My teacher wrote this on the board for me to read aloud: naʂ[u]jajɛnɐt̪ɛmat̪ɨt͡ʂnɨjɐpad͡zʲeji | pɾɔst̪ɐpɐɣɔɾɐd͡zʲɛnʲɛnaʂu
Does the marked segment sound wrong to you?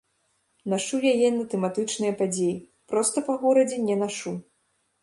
no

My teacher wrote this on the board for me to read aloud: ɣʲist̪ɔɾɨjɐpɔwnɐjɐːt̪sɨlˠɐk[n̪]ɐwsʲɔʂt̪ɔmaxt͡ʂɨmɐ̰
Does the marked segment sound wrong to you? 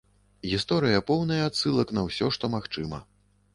no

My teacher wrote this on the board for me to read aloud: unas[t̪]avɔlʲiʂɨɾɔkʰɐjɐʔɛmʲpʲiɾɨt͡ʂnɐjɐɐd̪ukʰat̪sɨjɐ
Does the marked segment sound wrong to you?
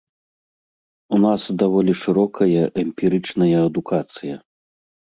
yes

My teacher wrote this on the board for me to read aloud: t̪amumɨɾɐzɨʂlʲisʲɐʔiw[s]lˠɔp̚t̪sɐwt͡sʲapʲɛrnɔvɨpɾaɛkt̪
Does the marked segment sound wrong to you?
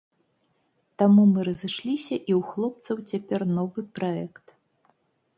yes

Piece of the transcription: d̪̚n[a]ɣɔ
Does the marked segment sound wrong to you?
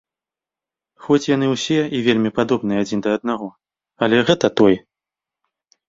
no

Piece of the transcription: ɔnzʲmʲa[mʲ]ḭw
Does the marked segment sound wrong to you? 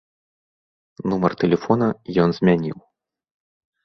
yes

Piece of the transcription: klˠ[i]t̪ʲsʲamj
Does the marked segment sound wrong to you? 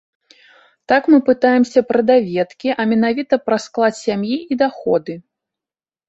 yes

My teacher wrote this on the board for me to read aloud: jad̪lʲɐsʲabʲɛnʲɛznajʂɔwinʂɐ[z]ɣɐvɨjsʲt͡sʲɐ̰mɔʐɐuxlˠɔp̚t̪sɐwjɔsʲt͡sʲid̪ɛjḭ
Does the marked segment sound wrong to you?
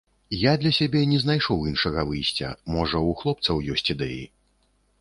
yes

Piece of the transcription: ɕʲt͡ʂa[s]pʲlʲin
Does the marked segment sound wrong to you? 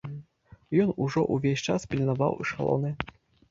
no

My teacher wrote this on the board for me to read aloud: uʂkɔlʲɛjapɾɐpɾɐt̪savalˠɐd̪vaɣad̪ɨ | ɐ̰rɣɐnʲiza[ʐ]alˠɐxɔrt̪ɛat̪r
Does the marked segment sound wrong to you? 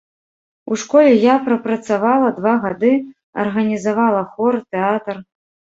yes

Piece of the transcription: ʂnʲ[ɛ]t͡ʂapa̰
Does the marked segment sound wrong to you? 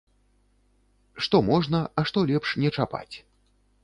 no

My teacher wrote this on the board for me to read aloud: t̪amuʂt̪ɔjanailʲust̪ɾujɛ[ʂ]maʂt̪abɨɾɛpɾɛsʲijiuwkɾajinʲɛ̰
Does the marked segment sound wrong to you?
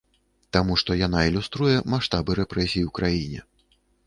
yes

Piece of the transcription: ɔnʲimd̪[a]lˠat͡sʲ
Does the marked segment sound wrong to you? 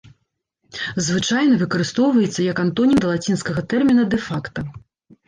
yes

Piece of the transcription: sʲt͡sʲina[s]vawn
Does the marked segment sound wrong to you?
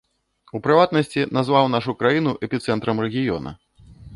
yes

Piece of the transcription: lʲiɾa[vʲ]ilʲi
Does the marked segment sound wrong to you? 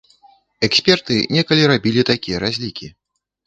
yes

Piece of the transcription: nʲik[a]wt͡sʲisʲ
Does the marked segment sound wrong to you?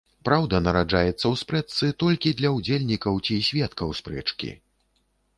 yes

